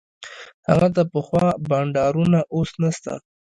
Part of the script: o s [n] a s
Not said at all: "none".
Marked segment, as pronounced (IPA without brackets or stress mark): n